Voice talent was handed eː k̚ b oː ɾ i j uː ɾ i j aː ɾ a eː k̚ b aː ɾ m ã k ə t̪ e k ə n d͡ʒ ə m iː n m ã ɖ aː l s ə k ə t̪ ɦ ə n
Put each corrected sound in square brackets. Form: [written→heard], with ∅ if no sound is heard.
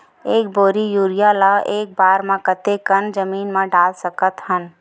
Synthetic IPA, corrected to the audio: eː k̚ b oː ɾ i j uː ɾ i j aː [ɾ→l] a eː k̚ b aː ɾ m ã k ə t̪ e k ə n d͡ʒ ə m iː n m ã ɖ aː l s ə k ə t̪ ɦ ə n